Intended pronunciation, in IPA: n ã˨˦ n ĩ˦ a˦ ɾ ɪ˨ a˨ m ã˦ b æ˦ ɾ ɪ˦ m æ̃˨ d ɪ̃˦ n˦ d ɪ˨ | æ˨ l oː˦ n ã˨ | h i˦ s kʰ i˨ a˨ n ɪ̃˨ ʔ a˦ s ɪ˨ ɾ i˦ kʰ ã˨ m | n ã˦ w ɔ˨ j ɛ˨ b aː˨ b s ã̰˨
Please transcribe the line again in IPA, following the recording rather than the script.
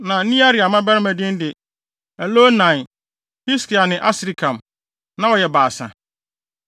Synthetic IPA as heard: n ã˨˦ n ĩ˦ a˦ ɾ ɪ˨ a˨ m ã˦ b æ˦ ɾ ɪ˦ m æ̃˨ d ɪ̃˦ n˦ d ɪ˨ | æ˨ l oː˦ n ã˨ | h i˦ s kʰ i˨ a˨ n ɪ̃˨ ʔ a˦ s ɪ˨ ɾ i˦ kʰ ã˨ m | n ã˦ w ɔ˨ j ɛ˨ b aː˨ s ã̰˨

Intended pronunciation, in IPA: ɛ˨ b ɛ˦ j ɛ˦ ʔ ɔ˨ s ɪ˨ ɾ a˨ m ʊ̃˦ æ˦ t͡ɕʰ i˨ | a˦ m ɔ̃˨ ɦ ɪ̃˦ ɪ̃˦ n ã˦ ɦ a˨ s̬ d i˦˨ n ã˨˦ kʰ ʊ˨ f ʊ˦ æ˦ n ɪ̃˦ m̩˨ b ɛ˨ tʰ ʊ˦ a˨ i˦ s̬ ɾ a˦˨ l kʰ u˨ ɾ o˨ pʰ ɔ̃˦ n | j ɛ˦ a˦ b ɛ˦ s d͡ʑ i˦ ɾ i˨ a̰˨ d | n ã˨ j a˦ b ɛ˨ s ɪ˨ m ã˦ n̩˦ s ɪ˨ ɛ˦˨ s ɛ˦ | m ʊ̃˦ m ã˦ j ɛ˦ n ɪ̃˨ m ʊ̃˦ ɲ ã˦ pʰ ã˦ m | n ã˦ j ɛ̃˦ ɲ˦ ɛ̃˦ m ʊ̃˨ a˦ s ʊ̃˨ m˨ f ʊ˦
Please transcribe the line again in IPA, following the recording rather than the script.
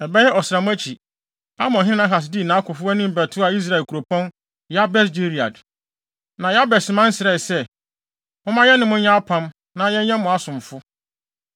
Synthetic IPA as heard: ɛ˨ b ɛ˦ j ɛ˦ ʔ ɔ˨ s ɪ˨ ɾ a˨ m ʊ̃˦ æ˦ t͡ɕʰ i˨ | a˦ m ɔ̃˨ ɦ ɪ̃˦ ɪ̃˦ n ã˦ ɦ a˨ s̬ d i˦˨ n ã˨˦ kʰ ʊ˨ f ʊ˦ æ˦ n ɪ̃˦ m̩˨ b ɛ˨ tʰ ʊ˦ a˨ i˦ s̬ ɾ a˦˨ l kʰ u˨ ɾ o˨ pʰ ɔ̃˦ n | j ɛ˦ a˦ b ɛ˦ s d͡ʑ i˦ ɾ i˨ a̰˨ d | n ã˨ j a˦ b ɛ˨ s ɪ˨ m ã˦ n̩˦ s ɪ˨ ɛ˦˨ s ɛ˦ | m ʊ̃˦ m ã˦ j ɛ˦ n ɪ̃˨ m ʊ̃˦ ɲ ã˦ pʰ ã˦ m | n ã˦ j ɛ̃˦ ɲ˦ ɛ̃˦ m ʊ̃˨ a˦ s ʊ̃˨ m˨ f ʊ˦

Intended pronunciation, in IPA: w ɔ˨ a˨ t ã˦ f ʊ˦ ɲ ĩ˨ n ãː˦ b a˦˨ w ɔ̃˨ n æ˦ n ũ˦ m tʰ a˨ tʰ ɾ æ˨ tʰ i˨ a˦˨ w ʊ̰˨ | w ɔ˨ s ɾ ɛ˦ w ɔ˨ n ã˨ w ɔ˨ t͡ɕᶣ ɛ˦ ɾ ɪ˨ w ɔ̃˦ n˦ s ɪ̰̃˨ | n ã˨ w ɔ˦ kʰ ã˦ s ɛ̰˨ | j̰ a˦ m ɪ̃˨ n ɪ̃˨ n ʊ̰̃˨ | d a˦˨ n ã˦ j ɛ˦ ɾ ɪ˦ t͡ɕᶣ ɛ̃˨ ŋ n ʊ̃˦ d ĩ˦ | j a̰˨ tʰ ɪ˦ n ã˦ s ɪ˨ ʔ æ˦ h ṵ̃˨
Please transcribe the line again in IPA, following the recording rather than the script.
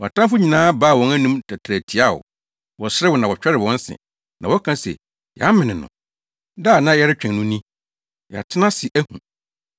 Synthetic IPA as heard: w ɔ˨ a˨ t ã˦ f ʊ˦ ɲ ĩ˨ n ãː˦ b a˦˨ w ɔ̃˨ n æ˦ n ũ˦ m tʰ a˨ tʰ ɾ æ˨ tʰ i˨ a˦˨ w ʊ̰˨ | w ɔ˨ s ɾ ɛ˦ w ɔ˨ n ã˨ w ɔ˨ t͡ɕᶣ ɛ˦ ɾ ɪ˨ w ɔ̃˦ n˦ s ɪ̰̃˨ | n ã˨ w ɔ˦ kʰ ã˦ s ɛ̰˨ | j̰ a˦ m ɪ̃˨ n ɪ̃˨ n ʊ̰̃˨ | d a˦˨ n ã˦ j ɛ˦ ɾ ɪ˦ t͡ɕᶣ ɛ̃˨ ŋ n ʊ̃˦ n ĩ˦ | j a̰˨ tʰ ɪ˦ n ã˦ s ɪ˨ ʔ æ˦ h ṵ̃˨

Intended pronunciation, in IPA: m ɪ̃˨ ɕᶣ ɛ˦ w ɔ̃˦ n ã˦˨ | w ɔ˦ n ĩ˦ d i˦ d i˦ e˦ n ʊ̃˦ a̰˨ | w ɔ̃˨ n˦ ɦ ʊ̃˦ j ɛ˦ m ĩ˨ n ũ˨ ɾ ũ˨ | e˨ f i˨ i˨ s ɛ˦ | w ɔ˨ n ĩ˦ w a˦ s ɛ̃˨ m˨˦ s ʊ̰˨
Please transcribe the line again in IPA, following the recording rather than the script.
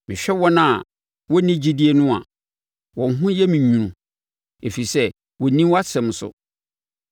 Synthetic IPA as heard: m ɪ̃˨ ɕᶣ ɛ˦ w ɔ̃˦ n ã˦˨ | w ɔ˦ n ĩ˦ d͡ʑ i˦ d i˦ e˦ n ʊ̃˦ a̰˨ | w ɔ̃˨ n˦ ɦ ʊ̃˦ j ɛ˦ m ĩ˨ ɲ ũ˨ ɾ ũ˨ | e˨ f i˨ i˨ s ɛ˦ | w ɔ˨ n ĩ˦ w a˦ s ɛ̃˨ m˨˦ s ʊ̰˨

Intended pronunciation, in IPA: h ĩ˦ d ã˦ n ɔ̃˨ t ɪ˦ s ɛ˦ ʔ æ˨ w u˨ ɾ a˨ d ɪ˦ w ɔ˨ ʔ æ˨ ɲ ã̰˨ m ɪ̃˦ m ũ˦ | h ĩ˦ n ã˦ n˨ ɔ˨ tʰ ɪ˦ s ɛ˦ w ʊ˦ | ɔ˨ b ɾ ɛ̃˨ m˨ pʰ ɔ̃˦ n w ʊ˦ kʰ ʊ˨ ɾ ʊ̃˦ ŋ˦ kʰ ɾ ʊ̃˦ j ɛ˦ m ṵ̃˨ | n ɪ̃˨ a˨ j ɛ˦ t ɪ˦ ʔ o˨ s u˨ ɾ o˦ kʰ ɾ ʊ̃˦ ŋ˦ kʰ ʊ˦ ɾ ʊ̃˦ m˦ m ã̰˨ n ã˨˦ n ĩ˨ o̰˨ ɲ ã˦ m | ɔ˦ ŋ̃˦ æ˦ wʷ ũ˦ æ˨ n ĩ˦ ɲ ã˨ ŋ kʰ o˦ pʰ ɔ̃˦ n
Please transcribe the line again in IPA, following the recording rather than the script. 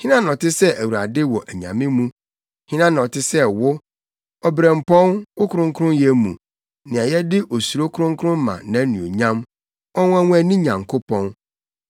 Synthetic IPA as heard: h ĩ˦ n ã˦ n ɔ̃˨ t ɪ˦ s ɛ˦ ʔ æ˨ w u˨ ɾ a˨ d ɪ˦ w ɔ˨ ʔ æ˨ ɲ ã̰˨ m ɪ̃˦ m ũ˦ | h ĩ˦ n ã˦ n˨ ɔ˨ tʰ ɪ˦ s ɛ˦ w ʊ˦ | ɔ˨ b ɾ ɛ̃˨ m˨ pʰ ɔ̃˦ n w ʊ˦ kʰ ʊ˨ ɾ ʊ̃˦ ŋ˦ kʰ ɾ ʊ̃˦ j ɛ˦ m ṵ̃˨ | n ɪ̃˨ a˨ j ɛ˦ d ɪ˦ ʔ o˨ s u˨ ɾ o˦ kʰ ɾ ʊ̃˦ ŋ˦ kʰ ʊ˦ ɾ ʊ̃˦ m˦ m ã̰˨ n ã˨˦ n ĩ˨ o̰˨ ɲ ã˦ m | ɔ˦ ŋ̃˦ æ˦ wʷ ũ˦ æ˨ n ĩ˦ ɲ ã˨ ŋ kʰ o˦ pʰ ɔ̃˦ n

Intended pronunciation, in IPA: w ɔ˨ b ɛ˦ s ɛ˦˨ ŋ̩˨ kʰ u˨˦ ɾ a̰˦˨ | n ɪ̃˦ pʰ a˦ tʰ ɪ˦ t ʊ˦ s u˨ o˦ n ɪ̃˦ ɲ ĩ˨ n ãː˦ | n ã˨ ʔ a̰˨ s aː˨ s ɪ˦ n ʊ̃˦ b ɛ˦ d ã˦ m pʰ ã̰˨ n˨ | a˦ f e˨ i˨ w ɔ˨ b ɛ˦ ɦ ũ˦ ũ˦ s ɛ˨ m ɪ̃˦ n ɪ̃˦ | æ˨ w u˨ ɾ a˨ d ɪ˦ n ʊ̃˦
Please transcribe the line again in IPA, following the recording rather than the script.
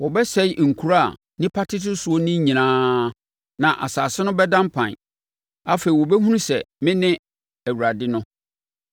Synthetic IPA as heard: w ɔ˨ b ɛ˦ s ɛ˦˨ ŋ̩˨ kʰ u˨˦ ɾ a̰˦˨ | n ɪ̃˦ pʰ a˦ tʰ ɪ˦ t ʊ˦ s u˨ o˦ n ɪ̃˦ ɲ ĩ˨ n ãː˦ | n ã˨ ʔ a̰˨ s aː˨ s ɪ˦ n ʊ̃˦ b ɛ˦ d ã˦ m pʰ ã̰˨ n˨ | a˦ f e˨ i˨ w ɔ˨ b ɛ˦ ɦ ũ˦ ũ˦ s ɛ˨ m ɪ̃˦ n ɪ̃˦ | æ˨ w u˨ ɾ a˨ d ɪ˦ n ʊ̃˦

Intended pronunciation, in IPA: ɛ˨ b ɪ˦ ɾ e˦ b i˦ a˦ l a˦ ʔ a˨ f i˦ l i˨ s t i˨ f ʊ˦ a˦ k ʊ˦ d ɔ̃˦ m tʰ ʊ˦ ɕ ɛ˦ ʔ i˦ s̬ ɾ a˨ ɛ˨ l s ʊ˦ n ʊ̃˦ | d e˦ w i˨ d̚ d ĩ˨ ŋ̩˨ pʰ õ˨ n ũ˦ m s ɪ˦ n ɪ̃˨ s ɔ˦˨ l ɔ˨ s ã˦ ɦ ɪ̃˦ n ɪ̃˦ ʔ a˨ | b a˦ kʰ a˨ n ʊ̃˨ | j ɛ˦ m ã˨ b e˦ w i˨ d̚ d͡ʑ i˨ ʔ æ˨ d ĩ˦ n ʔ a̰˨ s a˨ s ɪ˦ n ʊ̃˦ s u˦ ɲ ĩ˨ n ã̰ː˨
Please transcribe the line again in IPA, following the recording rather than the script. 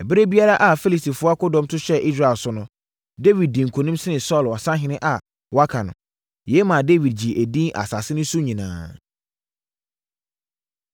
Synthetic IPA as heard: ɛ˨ b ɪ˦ ɾ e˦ b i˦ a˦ ɾ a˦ ʔ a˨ f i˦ l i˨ s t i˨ f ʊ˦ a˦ k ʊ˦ d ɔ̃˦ m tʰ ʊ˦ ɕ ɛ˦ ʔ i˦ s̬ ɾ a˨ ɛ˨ l s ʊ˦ n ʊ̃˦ | d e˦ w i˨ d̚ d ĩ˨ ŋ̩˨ kʰ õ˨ n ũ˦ m s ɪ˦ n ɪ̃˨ s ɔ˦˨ l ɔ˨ s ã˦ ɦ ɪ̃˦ n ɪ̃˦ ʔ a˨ | w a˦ kʰ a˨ n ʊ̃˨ | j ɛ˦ m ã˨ d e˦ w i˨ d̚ d͡ʑ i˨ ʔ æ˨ d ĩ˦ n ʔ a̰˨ s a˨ s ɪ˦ n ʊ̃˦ s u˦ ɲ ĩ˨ n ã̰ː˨

